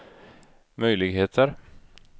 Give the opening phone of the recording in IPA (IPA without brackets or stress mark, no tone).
m